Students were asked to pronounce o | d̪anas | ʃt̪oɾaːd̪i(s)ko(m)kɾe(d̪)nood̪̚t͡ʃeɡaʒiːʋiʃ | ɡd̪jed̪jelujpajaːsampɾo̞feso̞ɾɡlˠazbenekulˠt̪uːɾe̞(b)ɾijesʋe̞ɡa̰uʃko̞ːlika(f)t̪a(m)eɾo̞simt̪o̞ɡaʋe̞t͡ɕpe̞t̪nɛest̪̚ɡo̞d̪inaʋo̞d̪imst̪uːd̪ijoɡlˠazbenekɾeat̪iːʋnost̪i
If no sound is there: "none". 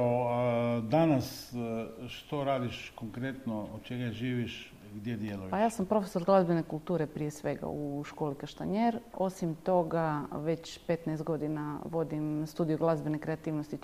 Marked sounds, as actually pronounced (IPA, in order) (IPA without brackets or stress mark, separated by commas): ʃ, ŋ, t̪, p, ʃ, ɲ